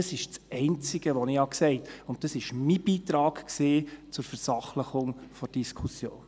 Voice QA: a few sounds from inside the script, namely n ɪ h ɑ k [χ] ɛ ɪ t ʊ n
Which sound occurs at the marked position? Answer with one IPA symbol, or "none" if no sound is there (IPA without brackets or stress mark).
s